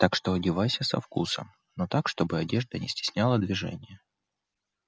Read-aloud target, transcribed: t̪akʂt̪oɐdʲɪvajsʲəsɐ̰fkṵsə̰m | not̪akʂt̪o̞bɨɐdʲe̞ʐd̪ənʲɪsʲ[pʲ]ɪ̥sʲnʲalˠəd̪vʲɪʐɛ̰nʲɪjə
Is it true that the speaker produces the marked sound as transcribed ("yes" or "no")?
no